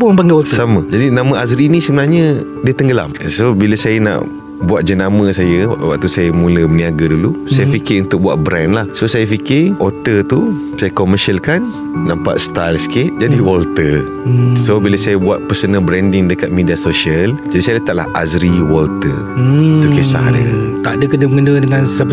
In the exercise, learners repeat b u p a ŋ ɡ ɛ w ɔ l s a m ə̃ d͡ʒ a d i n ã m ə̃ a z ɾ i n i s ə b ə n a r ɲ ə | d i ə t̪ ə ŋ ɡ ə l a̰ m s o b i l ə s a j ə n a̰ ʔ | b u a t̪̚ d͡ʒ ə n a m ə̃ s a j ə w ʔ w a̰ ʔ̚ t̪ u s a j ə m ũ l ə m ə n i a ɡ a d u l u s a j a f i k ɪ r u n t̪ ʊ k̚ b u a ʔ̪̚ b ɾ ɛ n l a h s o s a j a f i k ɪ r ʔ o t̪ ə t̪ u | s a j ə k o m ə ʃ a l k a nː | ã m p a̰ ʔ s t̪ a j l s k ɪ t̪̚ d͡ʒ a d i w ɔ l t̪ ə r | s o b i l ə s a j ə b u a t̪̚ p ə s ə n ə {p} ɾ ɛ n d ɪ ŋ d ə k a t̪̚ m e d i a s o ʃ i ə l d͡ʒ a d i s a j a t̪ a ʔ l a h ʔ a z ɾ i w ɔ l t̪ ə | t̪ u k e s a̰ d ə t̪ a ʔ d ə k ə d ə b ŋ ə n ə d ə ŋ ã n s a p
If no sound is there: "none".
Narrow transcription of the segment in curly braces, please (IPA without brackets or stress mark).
b